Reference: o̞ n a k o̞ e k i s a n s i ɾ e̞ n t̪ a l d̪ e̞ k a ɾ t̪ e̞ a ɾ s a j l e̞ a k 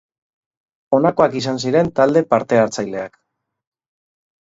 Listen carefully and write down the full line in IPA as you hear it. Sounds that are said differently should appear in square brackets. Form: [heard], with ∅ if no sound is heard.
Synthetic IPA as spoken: o̞ n a k o̞ [a] k i s a n s i ɾ e̞ n t̪ a l d̪ e̞ [p] a ɾ t̪ e̞ a ɾ [t͡s] a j l e̞ a k